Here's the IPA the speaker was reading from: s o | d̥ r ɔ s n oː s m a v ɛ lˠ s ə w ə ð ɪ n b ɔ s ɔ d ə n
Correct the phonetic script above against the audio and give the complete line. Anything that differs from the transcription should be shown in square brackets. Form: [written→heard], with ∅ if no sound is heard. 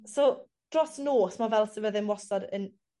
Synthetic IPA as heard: s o | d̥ r ɔ s n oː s m a v ɛ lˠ s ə [w→v] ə ð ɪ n [b→w] ɔ s ɔ d ə n

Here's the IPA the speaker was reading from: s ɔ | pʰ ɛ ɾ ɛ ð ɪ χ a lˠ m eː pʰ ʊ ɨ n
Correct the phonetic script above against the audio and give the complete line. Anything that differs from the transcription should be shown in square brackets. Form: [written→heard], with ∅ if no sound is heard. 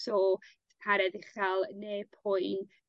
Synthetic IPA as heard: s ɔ | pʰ [ɛ→a] ɾ ɛ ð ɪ χ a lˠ [m→n] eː pʰ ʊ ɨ n

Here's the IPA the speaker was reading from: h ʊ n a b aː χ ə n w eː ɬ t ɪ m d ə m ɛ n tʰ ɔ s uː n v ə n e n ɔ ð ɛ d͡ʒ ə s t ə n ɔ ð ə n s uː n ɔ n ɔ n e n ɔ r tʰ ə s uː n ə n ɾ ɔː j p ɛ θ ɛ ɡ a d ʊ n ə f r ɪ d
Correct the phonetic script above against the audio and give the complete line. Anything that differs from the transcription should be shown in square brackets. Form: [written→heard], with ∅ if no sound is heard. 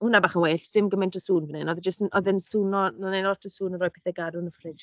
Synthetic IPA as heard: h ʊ n a b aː χ ə n w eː ɬ [t→s] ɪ m [d→ɡ] ə m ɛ n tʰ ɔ s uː n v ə n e n ɔ ð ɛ d͡ʒ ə s t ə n ɔ ð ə n s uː n ɔ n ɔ n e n ɔ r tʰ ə s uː n ə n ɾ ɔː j p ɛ θ ɛ ɡ a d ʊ n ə f r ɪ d

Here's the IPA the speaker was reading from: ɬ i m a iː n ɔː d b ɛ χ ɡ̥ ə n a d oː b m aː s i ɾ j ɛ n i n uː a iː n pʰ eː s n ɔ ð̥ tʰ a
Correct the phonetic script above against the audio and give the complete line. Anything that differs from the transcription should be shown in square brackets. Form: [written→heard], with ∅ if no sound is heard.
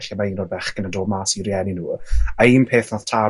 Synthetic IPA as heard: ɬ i m a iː n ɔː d b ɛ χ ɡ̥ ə n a d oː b m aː s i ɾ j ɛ n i n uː a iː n pʰ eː [s→θ] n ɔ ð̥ tʰ a

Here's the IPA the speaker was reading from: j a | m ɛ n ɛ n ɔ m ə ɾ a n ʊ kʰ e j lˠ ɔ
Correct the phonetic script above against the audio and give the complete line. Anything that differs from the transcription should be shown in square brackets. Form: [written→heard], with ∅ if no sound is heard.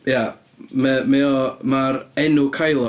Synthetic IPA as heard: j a | m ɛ [n→m] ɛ [n→∅] ɔ m [ə→a] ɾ [a→ɛ] n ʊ kʰ [e→a] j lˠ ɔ

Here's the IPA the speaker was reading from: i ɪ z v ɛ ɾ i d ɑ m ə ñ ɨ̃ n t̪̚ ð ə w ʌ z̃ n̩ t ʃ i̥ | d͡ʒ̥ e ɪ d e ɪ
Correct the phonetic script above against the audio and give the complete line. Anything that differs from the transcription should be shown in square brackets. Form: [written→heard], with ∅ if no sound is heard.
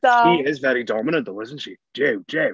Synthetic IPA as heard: i ɪ z v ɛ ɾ i d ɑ m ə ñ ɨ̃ n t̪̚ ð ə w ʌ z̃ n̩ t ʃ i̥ | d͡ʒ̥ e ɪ [d→d͡ʒ] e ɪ

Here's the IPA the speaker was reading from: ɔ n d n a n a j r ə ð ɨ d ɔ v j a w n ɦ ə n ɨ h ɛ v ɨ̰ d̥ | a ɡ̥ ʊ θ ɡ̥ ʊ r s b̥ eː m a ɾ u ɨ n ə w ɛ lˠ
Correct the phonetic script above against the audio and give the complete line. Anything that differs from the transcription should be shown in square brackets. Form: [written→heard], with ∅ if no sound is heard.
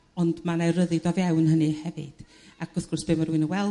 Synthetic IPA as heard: ɔ n d [n→m] a n a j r ə ð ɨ d ɔ v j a w n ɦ ə n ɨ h ɛ v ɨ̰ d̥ | a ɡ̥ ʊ θ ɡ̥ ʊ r s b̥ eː m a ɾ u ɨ n ə w ɛ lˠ

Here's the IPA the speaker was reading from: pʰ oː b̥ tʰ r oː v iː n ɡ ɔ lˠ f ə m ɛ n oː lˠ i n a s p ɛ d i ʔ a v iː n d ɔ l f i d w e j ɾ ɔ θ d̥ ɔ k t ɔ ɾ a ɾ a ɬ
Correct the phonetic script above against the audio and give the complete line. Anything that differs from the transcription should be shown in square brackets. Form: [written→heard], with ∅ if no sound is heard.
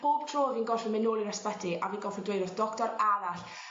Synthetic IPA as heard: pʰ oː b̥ tʰ r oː v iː n ɡ ɔ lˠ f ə m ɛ n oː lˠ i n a s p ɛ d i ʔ a v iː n [d→ɡ] ɔ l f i d w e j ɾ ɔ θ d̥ ɔ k t ɔ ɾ a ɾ a ɬ

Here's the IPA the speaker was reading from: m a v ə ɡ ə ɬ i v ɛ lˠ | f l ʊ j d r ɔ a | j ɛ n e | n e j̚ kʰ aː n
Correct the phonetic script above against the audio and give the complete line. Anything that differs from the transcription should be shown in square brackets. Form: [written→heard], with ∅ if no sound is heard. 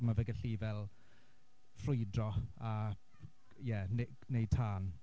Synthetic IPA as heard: m a v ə ɡ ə ɬ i v ɛ lˠ | f [l→r] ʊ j d r ɔ a | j ɛ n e | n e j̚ [kʰ→tʰ] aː n

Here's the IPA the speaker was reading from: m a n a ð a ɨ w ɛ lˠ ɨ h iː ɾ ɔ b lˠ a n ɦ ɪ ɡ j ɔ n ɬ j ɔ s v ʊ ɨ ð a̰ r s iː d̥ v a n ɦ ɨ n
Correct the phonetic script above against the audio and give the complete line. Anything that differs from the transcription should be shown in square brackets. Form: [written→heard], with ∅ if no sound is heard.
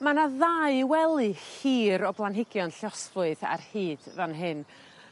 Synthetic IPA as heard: m a n a ð a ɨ w ɛ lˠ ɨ h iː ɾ ɔ b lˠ a n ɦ ɪ ɡ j ɔ n ɬ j ɔ s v ʊ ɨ ð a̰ r [s→h] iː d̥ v a n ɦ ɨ n

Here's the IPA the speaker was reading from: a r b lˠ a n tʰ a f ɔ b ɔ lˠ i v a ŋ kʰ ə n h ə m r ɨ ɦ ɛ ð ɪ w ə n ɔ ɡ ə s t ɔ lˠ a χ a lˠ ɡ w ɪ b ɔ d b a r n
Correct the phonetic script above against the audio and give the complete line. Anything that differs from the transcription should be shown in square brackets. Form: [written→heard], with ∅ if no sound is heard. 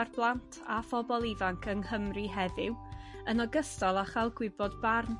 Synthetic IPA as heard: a r b lˠ a n tʰ a f ɔ b ɔ lˠ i v a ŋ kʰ ə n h ə m r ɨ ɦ ɛ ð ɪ w ə n ɔ ɡ ə s t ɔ lˠ a χ a lˠ ɡ w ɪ b ɔ d b a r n

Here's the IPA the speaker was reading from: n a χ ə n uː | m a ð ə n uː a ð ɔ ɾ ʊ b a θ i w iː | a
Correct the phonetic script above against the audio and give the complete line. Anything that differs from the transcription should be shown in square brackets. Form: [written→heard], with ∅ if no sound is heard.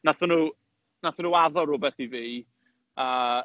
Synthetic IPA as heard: n a [χ→θ] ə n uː | [m→n] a [ð→θ] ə n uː a ð ɔ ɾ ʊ b [a→ɛ] θ i [w→v] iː | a

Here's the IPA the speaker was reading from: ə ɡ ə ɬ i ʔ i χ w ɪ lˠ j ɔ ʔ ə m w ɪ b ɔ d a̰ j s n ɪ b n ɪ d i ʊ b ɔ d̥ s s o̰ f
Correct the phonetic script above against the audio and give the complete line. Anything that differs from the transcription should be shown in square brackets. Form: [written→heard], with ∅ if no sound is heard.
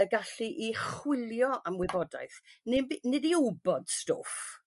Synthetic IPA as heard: ə ɡ [ə→a] ɬ i ʔ i χ w ɪ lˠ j ɔ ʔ [ə→a] m w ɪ b ɔ d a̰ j [s→θ] n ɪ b n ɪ d i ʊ b ɔ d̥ s [s→t] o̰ f

